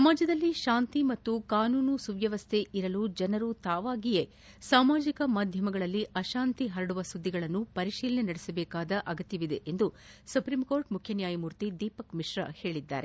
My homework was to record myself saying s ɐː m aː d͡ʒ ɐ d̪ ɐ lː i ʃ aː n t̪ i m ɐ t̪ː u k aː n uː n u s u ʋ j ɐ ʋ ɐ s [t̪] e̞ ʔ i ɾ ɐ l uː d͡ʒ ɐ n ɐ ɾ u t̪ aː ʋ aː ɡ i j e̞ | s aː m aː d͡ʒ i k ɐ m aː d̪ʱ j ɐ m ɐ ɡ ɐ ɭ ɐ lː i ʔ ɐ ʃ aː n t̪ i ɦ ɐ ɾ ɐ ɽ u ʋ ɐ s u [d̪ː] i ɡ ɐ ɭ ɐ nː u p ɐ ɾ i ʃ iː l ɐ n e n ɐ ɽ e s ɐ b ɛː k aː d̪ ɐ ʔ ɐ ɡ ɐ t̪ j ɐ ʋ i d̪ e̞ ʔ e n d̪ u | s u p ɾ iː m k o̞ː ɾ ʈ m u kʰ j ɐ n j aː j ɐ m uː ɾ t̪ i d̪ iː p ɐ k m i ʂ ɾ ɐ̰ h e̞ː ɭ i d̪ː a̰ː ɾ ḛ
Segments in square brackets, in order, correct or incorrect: incorrect: t̪ʰ, correct

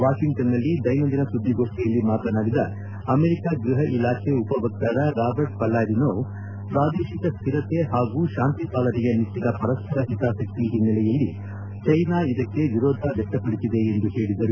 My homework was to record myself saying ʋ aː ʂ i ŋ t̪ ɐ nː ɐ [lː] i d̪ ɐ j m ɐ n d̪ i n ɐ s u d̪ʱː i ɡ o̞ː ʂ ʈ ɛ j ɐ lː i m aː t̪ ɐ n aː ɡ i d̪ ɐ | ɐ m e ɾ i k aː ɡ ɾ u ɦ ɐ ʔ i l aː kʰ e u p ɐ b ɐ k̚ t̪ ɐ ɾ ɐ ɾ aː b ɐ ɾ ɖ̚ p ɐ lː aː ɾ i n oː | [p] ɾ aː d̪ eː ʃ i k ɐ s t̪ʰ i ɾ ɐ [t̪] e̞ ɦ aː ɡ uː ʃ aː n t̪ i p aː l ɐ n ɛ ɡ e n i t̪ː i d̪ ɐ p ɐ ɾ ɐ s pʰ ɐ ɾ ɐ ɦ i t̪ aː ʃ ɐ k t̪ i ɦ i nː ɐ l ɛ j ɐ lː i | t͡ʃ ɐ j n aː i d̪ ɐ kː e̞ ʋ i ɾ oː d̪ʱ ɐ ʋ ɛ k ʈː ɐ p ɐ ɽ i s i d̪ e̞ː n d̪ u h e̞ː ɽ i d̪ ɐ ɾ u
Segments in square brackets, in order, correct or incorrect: correct, correct, correct

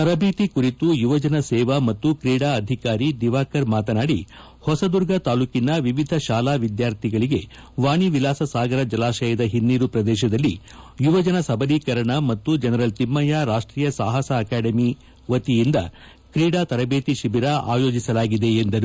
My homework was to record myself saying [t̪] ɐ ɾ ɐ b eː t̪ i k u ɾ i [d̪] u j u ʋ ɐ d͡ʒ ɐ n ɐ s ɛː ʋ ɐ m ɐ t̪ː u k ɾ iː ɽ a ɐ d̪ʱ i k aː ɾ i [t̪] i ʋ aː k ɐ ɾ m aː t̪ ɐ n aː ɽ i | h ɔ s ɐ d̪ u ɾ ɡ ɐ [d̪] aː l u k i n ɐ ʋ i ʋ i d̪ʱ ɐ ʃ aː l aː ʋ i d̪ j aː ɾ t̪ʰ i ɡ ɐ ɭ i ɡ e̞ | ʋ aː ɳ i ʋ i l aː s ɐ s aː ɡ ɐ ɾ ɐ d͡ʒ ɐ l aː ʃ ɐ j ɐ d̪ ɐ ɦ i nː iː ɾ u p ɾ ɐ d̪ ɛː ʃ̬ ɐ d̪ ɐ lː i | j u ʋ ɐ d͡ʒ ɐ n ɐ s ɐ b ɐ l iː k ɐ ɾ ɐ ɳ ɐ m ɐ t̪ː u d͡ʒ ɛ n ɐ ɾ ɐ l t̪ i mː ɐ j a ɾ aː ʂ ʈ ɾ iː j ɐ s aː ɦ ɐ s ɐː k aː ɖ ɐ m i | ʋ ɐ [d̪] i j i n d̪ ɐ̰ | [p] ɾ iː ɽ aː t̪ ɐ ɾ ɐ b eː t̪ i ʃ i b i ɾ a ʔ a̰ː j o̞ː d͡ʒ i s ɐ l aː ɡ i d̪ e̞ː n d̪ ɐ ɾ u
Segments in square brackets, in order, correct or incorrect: correct, incorrect: t̪, incorrect: d̪, incorrect: t̪, incorrect: t̪, incorrect: k

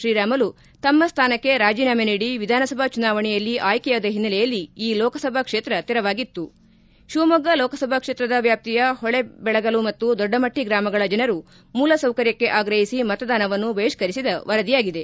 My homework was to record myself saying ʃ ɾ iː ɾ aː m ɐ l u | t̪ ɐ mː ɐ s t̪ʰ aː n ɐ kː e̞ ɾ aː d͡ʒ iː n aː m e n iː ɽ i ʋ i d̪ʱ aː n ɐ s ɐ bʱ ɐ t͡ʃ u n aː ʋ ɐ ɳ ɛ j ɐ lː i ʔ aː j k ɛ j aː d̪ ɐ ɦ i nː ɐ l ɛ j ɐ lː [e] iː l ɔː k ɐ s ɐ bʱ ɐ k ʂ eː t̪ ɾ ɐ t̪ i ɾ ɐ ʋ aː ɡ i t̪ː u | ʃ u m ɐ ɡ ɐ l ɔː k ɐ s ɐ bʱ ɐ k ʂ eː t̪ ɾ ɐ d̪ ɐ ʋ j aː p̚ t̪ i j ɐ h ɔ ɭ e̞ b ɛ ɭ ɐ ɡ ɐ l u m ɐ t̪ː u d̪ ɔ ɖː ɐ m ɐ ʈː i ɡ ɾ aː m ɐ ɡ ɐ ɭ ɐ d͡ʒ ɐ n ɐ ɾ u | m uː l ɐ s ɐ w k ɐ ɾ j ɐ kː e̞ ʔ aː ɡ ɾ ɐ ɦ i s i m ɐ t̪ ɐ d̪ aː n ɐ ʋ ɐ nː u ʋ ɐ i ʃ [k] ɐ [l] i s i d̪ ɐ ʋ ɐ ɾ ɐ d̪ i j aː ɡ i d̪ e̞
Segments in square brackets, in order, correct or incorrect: incorrect: i, correct, incorrect: ɾ

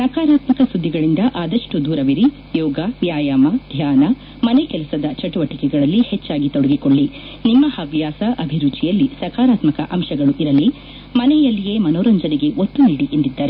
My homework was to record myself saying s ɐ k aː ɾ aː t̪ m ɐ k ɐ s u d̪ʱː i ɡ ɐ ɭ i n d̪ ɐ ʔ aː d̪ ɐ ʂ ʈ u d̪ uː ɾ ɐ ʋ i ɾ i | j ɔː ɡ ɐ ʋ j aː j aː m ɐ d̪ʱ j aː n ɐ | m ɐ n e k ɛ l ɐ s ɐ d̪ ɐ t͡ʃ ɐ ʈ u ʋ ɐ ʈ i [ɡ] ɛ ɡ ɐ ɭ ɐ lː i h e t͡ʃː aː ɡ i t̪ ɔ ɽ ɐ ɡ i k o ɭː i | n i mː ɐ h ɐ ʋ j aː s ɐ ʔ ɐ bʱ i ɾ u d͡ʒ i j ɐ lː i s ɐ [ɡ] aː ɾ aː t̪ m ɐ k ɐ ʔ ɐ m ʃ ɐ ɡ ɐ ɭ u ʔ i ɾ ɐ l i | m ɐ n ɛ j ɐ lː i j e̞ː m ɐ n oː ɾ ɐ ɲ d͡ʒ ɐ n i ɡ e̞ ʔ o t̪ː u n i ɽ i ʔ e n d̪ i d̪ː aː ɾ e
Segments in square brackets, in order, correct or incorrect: incorrect: k, incorrect: k

